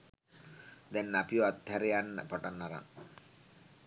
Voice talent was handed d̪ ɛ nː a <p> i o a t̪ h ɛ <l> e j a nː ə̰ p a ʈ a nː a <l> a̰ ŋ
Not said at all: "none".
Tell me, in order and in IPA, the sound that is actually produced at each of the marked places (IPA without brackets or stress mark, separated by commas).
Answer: p, ɾ, ɾ